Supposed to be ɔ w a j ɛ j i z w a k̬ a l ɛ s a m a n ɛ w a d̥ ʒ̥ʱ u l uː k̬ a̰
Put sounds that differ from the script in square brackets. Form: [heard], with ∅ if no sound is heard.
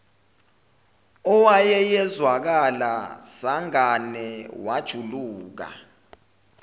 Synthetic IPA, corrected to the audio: ɔ w a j ɛ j [ɛ] z w a k̬ a l [a] s a [ŋ] a n ɛ w a d̥ ʒ̥ʱ u l uː k̬ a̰